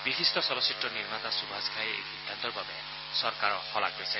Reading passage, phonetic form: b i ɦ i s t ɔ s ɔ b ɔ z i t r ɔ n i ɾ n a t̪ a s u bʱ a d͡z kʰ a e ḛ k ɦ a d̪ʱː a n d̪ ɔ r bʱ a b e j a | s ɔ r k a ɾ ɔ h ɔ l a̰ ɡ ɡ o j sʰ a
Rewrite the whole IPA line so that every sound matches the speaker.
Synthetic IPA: b i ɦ i s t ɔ s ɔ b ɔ s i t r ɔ n i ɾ m a t̪ a s u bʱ a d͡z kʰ a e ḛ k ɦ i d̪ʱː a n t̪ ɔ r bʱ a b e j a | s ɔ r k a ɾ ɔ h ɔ l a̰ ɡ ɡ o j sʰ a